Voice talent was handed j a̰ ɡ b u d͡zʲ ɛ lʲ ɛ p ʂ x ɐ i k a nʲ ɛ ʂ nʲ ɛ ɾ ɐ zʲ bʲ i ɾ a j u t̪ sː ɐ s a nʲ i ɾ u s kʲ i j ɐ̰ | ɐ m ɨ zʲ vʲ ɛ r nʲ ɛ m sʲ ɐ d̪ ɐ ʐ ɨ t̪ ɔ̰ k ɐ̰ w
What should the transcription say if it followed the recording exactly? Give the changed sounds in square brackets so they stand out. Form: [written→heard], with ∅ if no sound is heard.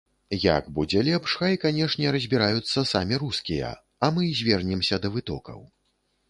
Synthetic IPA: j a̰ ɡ b u d͡zʲ ɛ lʲ ɛ p ʂ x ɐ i k a nʲ ɛ ʂ nʲ ɛ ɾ ɐ zʲ bʲ i ɾ a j u t̪ sː ɐ s a [nʲ→mʲ] i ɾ u s kʲ i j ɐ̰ | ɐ m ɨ zʲ vʲ ɛ r nʲ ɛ m sʲ ɐ d̪ ɐ [ʐ→v] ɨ t̪ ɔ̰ k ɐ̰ w